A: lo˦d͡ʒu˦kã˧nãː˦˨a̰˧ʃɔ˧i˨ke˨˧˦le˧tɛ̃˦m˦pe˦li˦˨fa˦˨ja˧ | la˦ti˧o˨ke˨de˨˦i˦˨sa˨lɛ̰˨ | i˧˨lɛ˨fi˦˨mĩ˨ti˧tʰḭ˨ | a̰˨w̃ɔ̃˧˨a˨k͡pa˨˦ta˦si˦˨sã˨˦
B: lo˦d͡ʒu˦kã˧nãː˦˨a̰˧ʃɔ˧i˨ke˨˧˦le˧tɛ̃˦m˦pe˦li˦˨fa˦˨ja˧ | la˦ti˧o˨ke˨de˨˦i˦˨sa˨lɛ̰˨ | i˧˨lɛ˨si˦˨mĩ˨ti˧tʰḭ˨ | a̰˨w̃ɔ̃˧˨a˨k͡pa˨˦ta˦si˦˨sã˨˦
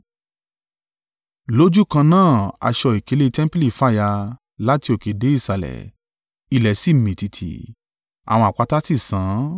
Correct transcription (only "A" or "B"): B